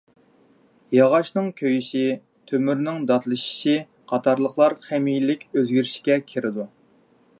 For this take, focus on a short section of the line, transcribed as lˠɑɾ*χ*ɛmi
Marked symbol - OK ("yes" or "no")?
yes